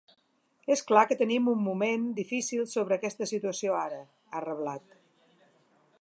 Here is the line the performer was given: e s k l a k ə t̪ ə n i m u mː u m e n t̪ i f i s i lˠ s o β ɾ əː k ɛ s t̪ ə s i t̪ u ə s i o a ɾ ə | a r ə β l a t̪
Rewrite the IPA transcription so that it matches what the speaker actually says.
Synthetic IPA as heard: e s k l a k ə t̪ ə n i m u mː u m e n d̪ i f i s i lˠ s o β ɾ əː k ɛ s t̪ ə s i t̪ u ə s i o a ɾ ə | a r ə β l a t̪